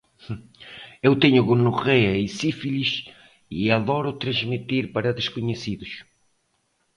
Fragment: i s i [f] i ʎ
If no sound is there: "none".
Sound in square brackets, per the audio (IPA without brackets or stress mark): f